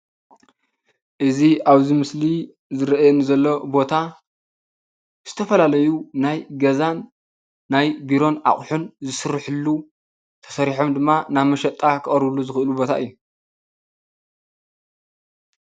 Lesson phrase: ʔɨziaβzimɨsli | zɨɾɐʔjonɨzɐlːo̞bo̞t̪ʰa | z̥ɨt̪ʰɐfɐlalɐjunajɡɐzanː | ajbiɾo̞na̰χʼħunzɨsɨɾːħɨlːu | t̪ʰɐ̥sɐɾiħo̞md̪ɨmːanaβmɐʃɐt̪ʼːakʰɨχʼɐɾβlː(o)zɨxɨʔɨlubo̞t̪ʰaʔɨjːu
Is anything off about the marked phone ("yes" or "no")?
yes